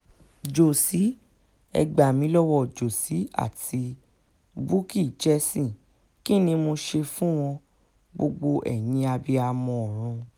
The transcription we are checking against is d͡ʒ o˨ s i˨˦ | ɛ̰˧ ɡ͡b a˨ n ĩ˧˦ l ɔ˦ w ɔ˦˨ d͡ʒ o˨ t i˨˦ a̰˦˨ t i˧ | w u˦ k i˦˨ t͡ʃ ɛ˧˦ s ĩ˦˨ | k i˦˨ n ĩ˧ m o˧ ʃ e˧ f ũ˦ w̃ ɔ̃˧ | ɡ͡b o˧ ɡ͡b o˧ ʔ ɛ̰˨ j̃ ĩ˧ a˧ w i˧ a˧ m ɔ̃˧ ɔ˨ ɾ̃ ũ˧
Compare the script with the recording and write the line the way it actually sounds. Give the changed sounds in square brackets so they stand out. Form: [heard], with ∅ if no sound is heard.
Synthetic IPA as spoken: d͡ʒ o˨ s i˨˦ | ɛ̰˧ ɡ͡b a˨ [m] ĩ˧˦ l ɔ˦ w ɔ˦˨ d͡ʒ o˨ [s] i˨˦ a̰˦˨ t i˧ | [b] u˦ k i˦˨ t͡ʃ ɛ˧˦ s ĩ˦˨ | k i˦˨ n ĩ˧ m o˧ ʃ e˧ f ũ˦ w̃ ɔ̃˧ | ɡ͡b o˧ ɡ͡b o˧ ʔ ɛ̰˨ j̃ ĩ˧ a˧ [b] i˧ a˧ m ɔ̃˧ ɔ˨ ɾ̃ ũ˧